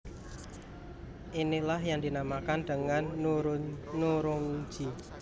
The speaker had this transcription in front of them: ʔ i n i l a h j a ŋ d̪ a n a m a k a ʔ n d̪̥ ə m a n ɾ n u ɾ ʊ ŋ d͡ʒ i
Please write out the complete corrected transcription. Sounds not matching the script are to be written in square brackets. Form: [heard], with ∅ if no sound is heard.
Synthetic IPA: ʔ i n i l a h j a ŋ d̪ [i] n a m a k a [∅] n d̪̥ ə [ŋ] a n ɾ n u ɾ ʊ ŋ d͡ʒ i

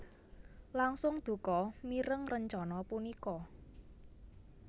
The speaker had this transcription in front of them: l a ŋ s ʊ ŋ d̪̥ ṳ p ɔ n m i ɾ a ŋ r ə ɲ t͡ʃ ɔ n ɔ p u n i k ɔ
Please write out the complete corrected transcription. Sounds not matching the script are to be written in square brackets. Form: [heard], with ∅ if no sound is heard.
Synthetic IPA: l a ŋ s ʊ ŋ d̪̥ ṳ [k] ɔ [∅] m i ɾ [ə] ŋ r ə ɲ t͡ʃ ɔ n ɔ p u n i k ɔ

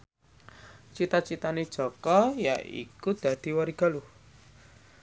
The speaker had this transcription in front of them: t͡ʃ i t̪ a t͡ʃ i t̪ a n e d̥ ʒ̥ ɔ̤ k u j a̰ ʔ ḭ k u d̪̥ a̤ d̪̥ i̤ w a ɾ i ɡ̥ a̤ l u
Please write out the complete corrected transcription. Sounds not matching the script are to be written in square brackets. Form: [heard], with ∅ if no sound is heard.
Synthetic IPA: t͡ʃ i t̪ a t͡ʃ i t̪ a n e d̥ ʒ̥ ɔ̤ k [ɔ] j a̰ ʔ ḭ k u d̪̥ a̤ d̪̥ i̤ w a ɾ i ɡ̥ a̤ l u

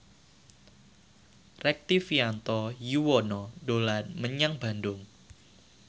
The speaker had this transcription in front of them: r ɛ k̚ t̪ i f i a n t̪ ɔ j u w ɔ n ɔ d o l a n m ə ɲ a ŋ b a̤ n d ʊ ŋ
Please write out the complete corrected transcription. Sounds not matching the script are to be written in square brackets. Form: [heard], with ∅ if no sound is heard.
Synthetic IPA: r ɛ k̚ t̪ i f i a n t̪ ɔ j u w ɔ n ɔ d o l a n m ə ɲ a ŋ b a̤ n d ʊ ŋ

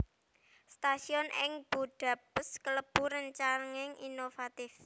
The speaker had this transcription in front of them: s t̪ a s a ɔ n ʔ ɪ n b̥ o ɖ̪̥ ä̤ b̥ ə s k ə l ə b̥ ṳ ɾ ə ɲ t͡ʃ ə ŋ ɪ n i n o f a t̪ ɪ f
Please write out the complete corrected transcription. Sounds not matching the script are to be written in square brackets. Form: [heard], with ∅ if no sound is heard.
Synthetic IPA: s t̪ a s [i] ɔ n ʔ ɪ [ŋ] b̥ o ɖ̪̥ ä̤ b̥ ə s k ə l ə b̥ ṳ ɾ ə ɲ t͡ʃ [a] ŋ ɪ [ŋ] i n o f a t̪ ɪ f

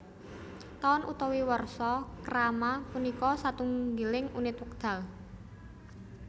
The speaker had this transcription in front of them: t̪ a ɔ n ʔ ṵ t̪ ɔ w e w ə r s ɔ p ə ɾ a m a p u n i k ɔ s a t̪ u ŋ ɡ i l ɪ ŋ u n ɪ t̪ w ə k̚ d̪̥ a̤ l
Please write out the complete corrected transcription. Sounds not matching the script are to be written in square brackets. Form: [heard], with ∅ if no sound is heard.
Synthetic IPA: t̪ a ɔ n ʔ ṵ t̪ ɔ w [i] w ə r s ɔ [k] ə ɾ a m a p u n i k ɔ s a t̪ u ŋ ɡ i l ɪ ŋ u n ɪ t̪ w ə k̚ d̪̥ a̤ l

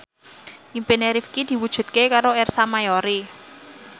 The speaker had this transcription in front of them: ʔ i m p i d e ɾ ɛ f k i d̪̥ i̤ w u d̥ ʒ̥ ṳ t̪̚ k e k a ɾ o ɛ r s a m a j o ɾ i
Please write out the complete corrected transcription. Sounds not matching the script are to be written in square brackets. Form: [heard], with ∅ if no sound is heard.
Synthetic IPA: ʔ i m p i [n] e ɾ [i] f k i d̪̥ i̤ w u d̥ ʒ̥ ṳ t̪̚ k e k a ɾ o ɛ r s a m a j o ɾ i

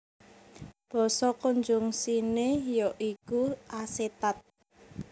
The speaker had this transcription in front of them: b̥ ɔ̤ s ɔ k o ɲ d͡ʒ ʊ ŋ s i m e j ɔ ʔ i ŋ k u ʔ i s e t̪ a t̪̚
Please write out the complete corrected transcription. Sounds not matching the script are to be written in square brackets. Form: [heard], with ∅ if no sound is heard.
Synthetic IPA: b̥ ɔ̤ s ɔ k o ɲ d͡ʒ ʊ ŋ s i [n] e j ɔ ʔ i [∅] k u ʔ [a] s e t̪ a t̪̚

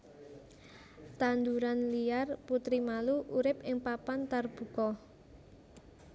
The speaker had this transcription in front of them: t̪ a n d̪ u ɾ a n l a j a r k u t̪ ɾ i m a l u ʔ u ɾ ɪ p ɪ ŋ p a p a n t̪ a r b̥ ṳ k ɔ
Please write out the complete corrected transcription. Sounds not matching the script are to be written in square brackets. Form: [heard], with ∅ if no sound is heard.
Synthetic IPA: t̪ a n d̪ u ɾ a n l [i] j a r [p] u t̪ ɾ i m a l u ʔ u ɾ ɪ p ɪ ŋ p a p a n t̪ a r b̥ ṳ k ɔ

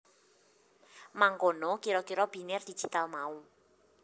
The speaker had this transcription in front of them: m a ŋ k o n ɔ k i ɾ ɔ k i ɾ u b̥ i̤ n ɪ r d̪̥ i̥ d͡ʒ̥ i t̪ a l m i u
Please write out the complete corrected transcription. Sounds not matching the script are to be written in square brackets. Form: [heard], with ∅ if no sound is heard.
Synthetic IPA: m a ŋ k o n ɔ k i ɾ ɔ k i ɾ [ɔ] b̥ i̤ n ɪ r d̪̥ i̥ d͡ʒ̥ i t̪ a l m [a] u

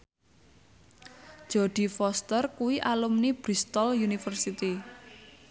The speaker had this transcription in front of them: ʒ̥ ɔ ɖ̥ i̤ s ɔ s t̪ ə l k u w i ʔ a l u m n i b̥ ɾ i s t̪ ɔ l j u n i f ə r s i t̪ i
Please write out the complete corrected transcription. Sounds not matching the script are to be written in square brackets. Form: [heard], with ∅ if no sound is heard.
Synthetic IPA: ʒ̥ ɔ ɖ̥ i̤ [f] ɔ s t̪ ə [r] k u w i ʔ a l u m n i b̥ ɾ i s t̪ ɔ l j u n i f ə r s i t̪ i

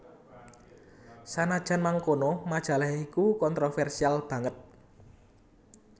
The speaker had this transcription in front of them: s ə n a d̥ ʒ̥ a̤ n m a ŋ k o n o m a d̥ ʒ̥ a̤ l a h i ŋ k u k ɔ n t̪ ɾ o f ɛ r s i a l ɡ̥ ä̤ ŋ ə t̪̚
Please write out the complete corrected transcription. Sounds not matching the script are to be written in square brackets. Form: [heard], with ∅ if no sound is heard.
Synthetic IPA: s [a] n a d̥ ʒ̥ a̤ n m a ŋ k o n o m a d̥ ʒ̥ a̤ l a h i [∅] k u k ɔ n t̪ ɾ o f ɛ r s i a l [b̥] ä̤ ŋ ə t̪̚

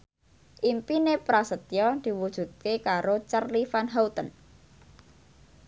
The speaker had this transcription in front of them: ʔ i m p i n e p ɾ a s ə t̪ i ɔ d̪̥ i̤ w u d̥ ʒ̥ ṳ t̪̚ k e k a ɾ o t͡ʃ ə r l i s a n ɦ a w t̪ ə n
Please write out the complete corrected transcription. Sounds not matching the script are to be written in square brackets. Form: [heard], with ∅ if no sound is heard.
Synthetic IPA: ʔ i m p i n e p ɾ a s ə t̪ [j] ɔ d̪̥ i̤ w u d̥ ʒ̥ ṳ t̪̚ k e k a ɾ o t͡ʃ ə r l i [f] a n ɦ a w t̪ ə n

